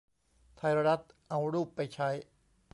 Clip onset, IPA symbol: t̪ʰ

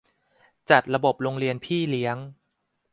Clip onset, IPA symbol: t͡ɕ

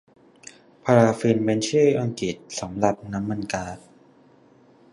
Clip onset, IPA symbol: pʰ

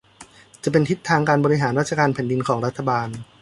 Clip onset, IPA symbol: t͡ɕ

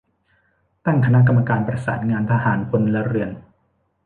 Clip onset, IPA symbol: t̪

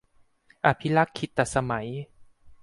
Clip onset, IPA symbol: ʔ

